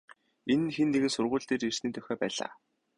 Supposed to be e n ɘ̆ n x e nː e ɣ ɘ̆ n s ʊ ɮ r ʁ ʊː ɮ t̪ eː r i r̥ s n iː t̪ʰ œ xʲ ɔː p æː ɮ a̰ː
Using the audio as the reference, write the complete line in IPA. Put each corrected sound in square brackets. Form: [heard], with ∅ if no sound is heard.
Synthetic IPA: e n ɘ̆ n x e nː e ɣ ɘ̆ n s ʊ [∅] r ʁ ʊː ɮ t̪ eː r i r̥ s n iː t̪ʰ œ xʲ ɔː p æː ɮ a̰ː